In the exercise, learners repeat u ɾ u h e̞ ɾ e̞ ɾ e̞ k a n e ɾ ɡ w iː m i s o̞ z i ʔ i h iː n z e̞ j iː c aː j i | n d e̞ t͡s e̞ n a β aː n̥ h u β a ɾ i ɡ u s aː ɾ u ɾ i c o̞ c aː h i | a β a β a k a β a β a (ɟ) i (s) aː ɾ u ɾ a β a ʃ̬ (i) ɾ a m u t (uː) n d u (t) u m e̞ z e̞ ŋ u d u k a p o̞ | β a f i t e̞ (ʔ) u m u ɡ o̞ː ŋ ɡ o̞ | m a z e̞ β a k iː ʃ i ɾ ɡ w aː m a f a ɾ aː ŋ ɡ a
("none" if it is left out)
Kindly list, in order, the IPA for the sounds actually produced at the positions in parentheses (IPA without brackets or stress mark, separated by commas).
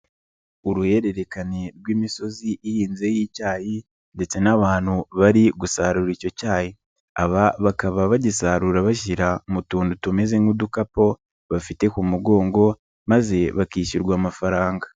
ɟ, s, i, uː, t, k